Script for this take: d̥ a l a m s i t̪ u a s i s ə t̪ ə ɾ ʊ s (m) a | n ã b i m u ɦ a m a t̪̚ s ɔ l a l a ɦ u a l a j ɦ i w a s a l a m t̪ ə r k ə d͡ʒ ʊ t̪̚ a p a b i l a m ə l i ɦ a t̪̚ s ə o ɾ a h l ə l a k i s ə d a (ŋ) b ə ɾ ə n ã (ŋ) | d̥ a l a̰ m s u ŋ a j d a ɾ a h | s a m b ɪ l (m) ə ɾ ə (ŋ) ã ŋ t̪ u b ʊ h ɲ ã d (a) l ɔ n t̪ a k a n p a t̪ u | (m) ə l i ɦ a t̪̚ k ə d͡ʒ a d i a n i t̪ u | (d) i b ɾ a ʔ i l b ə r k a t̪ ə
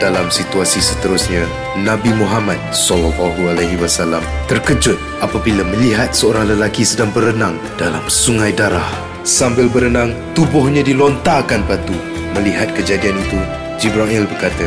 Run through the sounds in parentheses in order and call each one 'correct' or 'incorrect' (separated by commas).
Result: incorrect, correct, correct, incorrect, incorrect, incorrect, correct, incorrect